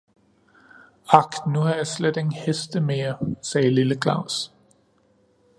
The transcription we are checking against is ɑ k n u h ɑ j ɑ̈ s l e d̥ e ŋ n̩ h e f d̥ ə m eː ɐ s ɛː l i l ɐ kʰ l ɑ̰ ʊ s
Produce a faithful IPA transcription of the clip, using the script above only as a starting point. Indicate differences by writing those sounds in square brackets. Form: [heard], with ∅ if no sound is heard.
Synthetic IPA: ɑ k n u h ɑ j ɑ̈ s l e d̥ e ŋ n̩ h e [s] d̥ ə m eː ɐ s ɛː l i l [ə] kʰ l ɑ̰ ʊ s